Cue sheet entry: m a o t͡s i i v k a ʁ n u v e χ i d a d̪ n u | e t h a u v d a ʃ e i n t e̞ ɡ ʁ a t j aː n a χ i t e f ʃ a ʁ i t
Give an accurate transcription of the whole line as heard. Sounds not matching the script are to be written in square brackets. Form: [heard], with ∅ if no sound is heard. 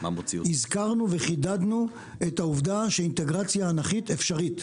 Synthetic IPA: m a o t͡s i i [z] k a ʁ n u v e χ i d a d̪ n u | e t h a u v d a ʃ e i n t e̞ ɡ ʁ a [t͡s] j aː n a χ i t e f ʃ a ʁ i t

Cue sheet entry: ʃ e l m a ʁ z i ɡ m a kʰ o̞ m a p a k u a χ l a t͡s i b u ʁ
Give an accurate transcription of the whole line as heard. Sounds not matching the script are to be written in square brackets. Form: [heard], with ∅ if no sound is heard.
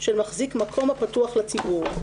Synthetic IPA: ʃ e l m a [χ] z i [k] m a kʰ o̞ m a p a [t] u a χ l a t͡s i b u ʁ

